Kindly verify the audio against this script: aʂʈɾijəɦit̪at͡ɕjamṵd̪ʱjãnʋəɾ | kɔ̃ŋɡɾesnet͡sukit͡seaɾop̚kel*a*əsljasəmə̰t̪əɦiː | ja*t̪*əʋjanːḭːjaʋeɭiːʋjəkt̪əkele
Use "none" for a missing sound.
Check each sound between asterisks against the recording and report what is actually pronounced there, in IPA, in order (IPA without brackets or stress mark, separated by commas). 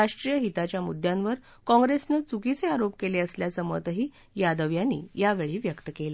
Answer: e, d̪